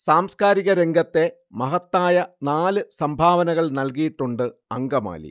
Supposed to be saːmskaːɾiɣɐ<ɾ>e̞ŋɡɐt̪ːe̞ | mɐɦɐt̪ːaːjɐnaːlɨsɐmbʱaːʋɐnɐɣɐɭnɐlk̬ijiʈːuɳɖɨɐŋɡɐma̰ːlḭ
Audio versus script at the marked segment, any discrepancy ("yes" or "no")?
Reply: no